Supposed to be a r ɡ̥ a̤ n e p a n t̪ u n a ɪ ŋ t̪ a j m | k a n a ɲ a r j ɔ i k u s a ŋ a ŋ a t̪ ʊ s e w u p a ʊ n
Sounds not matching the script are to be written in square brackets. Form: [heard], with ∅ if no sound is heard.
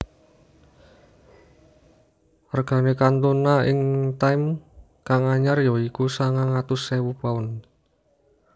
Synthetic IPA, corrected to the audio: a r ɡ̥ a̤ n e [k] a n t̪ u n a ɪ ŋ t̪ a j m | k a [ŋ] a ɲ a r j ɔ i k u s a ŋ a ŋ a t̪ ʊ s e w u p a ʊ n